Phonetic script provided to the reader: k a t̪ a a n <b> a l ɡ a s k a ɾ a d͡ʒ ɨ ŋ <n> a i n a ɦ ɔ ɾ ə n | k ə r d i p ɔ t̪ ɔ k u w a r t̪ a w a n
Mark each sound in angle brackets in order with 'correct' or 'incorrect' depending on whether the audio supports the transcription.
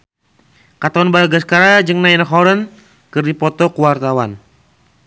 correct, correct

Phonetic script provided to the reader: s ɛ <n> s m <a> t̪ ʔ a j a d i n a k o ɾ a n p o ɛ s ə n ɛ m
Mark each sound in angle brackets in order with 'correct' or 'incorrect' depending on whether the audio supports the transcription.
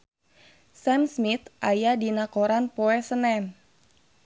incorrect, incorrect

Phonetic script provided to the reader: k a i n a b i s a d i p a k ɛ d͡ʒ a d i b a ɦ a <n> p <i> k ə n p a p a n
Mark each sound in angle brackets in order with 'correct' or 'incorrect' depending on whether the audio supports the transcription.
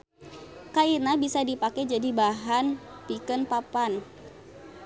correct, correct

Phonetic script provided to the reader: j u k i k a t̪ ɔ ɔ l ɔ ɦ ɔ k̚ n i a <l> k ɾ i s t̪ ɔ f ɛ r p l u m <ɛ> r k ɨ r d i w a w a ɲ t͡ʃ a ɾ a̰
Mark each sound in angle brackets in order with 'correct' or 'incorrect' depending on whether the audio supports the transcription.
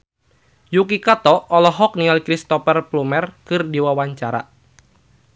correct, correct

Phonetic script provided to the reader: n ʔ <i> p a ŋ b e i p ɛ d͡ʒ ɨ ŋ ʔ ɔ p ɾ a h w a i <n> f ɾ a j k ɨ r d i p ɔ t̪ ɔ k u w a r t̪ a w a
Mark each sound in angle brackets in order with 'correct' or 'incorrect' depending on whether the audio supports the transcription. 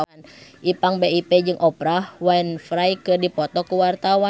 correct, correct

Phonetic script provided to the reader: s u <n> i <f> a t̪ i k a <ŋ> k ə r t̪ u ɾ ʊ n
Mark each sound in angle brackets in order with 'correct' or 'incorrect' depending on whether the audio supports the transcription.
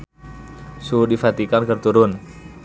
incorrect, correct, incorrect

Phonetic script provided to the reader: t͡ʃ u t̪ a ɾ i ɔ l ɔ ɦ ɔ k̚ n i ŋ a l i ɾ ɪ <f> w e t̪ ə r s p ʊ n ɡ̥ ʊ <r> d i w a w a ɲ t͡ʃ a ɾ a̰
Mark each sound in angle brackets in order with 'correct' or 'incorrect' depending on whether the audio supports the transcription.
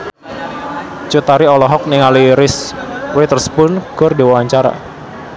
incorrect, correct

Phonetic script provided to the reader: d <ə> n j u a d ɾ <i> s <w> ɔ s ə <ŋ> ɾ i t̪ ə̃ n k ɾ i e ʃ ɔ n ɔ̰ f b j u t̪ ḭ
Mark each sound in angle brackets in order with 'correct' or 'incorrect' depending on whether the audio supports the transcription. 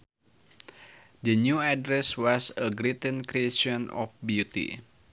correct, incorrect, correct, incorrect

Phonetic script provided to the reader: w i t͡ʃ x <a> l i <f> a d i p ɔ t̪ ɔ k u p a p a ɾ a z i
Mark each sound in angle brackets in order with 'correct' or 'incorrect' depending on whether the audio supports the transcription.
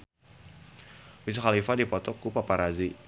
correct, correct

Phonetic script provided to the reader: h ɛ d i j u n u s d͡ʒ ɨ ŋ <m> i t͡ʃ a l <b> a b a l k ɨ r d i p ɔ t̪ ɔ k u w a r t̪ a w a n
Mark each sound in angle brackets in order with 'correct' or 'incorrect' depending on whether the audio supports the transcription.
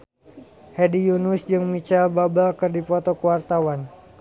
correct, correct

